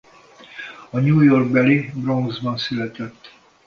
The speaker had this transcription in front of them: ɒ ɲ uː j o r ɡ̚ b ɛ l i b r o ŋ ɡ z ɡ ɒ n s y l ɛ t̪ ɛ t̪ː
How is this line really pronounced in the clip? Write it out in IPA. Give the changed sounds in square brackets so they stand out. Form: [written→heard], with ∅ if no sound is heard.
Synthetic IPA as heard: ɒ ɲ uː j o r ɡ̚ b ɛ l i b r o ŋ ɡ z [ɡ→b] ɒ n s y l ɛ t̪ ɛ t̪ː